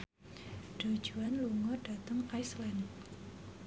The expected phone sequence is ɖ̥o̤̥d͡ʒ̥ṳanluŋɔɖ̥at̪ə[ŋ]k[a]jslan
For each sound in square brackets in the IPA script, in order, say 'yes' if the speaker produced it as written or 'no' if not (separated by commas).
yes, yes